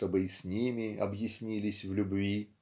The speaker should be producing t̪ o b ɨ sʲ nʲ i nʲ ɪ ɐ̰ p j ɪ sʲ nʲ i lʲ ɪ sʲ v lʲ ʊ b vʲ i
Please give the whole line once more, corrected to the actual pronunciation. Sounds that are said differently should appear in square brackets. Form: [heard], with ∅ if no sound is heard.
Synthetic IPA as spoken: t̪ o b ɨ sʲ nʲ i [mʲ] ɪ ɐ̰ [b] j ɪ sʲ nʲ i lʲ ɪ sʲ v lʲ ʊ b vʲ i